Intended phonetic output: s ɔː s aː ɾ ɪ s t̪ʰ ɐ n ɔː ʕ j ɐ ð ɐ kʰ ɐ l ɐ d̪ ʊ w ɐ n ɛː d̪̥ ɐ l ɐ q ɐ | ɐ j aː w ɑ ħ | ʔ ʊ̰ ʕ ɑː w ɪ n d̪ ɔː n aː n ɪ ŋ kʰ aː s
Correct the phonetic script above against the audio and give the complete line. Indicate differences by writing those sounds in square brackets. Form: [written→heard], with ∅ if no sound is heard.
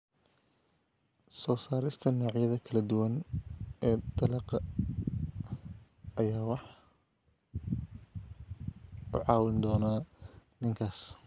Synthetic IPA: s ɔː s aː ɾ ɪ s t̪ʰ ɐ n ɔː ʕ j ɐ ð ɐ kʰ ɐ l ɐ d̪ ʊ w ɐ n ɛː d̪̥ ɐ l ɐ q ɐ | ɐ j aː w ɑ ħ | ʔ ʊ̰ ʕ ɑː w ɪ n d̪ ɔː n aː n ɪ ŋ kʰ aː s